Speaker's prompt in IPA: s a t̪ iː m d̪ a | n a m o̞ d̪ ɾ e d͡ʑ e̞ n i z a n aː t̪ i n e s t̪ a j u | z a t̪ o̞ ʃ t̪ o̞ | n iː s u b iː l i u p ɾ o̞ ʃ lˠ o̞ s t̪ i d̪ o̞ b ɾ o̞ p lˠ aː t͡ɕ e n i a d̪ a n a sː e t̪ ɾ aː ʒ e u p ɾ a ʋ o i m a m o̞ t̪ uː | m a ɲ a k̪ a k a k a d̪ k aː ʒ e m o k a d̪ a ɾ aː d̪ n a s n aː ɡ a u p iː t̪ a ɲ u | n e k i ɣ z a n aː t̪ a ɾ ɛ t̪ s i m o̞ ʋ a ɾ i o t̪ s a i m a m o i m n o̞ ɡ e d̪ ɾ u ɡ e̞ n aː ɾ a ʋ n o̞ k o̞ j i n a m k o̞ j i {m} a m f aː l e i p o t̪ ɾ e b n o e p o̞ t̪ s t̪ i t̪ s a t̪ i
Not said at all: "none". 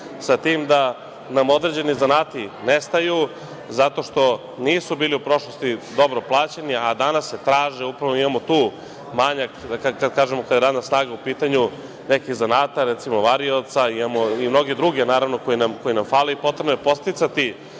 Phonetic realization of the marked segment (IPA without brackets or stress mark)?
n